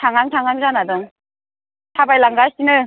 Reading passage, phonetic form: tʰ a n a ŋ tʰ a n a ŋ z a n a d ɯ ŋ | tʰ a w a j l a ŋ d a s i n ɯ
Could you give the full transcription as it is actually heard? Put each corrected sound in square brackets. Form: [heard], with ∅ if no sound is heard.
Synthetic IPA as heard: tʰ a [ŋ] a ŋ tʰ a [ŋ] a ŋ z a n a d ɯ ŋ | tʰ a [b] a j l a ŋ [ɡ] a s i n ɯ